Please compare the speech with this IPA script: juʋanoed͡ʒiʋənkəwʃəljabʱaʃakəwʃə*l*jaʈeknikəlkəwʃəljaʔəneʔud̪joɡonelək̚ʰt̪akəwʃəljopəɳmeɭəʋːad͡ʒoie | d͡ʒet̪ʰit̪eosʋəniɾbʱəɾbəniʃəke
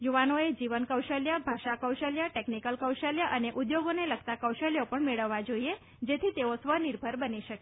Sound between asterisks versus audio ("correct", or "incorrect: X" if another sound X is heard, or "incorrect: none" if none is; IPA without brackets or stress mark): correct